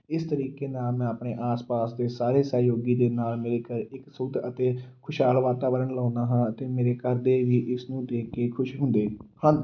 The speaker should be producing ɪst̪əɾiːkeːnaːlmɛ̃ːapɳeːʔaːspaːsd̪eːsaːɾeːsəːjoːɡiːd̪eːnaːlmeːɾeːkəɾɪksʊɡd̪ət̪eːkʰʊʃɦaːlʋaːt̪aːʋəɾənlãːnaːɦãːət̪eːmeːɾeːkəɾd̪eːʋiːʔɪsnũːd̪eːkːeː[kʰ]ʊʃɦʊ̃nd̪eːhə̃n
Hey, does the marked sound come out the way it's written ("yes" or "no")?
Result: yes